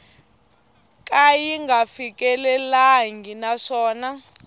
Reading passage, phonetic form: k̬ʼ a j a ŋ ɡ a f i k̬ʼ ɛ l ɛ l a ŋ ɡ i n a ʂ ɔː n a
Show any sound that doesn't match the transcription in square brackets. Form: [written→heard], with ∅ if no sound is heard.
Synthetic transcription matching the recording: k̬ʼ a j [a→i] ŋ ɡ a f i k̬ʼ ɛ l ɛ l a ŋ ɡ i n a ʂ ɔː n a